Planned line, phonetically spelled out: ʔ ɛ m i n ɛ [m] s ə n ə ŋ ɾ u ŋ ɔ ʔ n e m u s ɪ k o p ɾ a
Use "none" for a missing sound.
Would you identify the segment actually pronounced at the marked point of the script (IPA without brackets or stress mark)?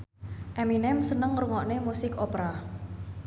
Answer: m